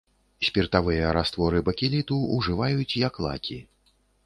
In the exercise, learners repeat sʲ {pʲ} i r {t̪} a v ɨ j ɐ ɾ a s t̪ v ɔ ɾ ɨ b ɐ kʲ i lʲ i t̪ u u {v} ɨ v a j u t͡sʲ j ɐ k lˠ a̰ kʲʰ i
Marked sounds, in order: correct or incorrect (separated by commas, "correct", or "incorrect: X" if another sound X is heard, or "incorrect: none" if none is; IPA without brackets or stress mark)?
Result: correct, correct, incorrect: ʐ